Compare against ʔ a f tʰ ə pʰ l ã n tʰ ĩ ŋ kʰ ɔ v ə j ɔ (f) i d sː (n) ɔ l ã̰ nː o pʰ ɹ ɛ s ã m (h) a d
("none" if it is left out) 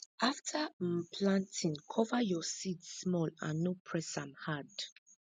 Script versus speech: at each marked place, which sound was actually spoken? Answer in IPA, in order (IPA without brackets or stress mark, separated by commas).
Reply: s, m, h